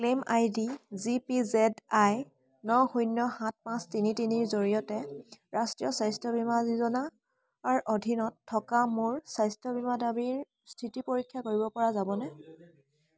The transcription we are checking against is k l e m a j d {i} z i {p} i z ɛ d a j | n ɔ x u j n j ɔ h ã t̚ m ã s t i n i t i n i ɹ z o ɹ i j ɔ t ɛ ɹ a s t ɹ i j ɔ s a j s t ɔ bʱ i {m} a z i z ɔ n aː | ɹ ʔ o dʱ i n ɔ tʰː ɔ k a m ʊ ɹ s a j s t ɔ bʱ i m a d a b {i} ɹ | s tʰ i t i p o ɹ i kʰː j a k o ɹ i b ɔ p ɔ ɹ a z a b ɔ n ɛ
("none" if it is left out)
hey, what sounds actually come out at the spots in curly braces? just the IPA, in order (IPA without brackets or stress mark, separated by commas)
i, p, m, i